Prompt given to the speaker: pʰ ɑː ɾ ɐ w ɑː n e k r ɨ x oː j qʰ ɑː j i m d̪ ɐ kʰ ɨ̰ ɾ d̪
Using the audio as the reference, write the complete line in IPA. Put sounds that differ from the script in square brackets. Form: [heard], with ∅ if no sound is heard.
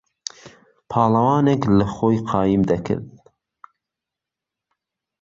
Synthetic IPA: pʰ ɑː [l] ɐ w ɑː n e k [l] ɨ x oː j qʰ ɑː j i m d̪ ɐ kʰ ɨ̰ ɾ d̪

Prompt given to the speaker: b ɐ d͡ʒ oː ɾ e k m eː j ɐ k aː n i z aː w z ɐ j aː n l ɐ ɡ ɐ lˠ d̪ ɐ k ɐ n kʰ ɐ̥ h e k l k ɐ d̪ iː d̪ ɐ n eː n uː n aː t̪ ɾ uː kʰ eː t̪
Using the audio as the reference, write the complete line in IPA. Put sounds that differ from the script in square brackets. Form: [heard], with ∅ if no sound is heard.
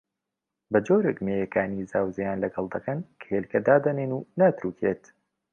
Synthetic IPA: b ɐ d͡ʒ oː ɾ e k m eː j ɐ k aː n i z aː w z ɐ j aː n l ɐ ɡ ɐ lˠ d̪ ɐ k ɐ n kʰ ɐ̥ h e [∅] l k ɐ d̪ [aː] d̪ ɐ n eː n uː n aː t̪ ɾ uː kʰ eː t̪

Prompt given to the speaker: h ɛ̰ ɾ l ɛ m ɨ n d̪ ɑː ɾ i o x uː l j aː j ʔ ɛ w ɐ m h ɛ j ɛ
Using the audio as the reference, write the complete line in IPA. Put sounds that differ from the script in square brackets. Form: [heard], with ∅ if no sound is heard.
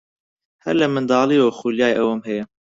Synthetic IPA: h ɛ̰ ɾ l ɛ m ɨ n d̪ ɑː [l] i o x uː l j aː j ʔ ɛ w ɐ m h ɛ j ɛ

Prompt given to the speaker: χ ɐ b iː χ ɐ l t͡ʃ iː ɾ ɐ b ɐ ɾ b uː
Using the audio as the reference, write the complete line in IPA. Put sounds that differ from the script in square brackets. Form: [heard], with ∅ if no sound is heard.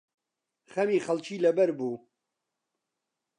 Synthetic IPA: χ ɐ [m] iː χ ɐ l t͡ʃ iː [l] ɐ b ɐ ɾ b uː

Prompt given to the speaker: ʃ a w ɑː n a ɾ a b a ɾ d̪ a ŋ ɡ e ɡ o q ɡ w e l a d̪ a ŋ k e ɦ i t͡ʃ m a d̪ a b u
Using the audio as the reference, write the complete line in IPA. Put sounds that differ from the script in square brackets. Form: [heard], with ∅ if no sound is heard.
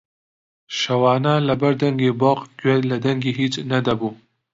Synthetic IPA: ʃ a w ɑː n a [l] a b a ɾ d̪ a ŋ ɡ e [b] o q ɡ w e l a d̪ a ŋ [ɡ] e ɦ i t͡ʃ [n] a d̪ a b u

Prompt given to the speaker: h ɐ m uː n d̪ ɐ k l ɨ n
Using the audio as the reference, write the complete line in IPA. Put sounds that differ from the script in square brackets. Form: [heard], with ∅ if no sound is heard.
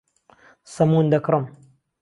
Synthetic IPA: [s] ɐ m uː n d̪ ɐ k [ɾ] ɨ [m]

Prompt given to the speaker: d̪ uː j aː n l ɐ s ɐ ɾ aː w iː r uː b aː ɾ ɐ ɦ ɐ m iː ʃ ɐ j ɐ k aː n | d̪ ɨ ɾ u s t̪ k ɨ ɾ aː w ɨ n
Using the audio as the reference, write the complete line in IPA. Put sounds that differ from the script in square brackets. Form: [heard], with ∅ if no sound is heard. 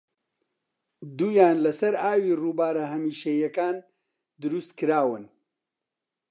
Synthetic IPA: d̪ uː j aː n l ɐ s ɐ ɾ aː w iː r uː b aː ɾ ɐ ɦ ɐ m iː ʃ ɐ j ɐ k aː n | d̪ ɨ ɾ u s t̪ k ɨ ɾ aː w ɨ n

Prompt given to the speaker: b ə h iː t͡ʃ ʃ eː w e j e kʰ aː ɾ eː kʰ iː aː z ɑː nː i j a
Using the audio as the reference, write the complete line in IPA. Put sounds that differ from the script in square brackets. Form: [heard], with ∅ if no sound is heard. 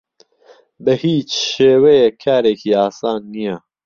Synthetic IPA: b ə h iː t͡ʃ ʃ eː w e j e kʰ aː ɾ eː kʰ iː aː [s] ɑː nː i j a

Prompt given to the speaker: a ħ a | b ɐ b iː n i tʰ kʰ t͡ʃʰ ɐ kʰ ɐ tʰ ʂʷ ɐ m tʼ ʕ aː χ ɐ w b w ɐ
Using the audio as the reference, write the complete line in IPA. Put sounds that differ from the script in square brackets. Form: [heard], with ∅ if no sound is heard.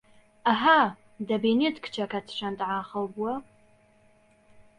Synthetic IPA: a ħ a | [d] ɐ b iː n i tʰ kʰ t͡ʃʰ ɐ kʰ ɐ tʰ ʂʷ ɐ [n] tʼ ʕ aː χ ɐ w b w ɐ

